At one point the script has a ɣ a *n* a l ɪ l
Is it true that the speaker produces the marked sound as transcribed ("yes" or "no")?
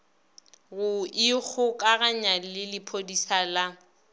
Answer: no